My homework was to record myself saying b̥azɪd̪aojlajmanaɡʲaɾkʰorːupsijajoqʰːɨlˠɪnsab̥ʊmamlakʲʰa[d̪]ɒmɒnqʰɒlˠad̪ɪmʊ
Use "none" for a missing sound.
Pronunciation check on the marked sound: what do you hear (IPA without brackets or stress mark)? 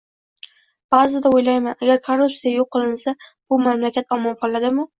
t̪